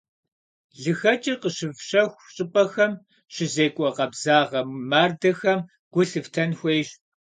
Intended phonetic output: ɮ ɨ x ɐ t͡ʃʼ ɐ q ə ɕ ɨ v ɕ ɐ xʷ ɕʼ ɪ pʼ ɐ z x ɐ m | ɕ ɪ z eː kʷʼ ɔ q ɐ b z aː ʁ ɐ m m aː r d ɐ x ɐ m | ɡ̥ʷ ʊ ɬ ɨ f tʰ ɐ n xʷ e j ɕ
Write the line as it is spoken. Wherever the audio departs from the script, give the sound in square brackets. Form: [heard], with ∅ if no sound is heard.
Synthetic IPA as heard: ɮ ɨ x ɐ t͡ʃʼ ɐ q ə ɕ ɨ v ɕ ɐ xʷ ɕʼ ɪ pʼ ɐ [∅] x ɐ m | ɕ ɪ z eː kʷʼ ɔ q ɐ b z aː ʁ ɐ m m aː r d ɐ x ɐ m | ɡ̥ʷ ʊ ɬ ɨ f tʰ ɐ n xʷ e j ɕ